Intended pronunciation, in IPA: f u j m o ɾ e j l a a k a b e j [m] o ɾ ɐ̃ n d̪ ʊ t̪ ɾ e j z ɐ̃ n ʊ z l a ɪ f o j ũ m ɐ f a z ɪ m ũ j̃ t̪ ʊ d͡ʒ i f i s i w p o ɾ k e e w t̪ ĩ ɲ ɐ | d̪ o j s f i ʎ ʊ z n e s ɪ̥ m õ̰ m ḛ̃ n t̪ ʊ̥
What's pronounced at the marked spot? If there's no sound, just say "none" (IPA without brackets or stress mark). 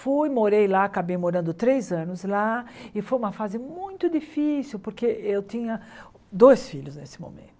m